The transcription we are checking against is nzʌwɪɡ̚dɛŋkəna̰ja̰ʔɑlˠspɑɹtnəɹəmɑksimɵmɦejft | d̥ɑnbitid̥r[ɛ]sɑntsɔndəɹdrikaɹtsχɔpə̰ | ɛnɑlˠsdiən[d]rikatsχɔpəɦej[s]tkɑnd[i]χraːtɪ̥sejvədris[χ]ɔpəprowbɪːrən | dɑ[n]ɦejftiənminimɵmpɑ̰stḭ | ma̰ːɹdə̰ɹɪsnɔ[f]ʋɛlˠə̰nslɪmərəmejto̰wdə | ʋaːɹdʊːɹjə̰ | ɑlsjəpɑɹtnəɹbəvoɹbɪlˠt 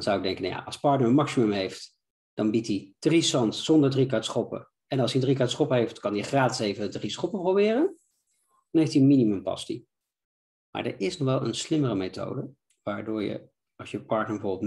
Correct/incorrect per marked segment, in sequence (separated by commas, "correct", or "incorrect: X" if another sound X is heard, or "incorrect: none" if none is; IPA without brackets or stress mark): incorrect: i, correct, incorrect: f, correct, correct, correct, incorrect: χ